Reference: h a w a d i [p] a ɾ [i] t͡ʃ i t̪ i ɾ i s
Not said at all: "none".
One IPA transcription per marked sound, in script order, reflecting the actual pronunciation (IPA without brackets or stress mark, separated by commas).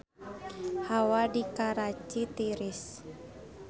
k, a